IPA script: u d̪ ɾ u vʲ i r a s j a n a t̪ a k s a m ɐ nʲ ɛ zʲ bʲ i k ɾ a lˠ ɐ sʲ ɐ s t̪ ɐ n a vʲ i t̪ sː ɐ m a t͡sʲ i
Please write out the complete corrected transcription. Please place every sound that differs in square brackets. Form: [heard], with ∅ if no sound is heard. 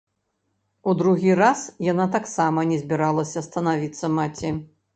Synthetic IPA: u d̪ ɾ u [ɣʲ] i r a s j a n a t̪ a k s a m ɐ nʲ ɛ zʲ bʲ i [∅] ɾ a lˠ ɐ sʲ ɐ s t̪ ɐ n a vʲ i t̪ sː ɐ m a t͡sʲ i